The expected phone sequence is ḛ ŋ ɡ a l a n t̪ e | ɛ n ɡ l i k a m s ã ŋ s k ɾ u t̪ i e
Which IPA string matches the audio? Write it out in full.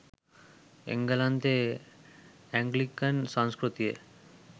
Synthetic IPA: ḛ ŋ ɡ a l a n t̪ e | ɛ ŋ ɡ l i k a n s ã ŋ s k ɾ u t̪ i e